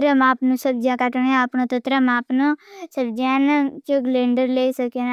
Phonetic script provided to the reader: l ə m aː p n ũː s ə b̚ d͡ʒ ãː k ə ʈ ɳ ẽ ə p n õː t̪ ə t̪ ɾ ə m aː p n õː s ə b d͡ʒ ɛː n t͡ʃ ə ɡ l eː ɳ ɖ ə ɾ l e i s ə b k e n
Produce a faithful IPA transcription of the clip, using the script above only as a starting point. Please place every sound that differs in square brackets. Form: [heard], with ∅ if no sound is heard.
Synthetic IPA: [ɾ] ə m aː p n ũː s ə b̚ d͡ʒ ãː k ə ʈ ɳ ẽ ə p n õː t̪ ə t̪ ɾ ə m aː p n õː s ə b d͡ʒ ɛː n t͡ʃ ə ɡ l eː ɳ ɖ ə ɾ l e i s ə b k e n

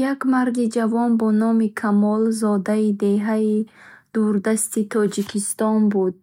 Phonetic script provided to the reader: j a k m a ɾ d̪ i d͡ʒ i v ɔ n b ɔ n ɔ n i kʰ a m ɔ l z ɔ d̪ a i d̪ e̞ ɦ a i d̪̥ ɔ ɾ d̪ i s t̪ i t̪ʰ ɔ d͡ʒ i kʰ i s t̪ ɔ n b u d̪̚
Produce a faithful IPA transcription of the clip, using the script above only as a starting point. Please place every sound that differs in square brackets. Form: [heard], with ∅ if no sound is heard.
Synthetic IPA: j a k m a ɾ d̪ i d͡ʒ [a] v ɔ n b ɔ n ɔ [m] i kʰ a m ɔ l z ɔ d̪ a i d̪ e̞ ɦ a i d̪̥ [u] ɾ d̪ [a] s t̪ i t̪ʰ ɔ d͡ʒ i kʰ i s t̪ ɔ n b u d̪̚

